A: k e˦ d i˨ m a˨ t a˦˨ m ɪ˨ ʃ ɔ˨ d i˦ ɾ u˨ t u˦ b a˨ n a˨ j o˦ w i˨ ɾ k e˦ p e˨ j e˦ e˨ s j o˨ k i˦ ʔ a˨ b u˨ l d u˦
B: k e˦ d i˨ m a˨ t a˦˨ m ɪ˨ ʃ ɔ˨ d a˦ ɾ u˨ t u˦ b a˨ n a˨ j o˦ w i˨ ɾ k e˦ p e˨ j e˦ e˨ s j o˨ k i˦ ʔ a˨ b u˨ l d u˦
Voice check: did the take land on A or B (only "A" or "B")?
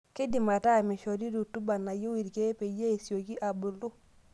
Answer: A